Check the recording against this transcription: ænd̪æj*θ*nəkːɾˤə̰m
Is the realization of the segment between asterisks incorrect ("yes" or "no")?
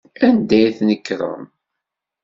no